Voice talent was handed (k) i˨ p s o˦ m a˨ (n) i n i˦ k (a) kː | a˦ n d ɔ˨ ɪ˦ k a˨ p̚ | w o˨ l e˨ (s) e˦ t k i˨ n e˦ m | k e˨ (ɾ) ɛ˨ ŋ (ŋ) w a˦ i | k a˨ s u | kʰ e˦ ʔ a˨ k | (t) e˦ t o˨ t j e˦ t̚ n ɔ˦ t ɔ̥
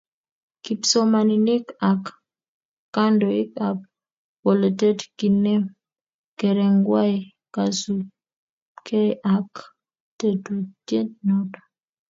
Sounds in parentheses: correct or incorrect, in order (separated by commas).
correct, correct, correct, incorrect, correct, incorrect, correct